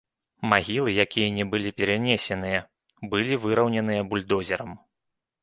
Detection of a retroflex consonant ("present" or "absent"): absent